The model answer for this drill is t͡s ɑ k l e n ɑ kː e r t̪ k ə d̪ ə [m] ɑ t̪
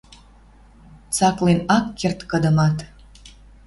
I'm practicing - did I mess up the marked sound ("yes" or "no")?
no